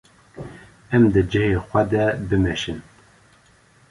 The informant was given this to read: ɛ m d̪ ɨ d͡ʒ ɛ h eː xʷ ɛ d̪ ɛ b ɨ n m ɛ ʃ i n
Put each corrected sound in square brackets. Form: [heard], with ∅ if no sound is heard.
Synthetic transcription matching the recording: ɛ m d̪ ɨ d͡ʒ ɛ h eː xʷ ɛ d̪ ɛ b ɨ [∅] m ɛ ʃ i n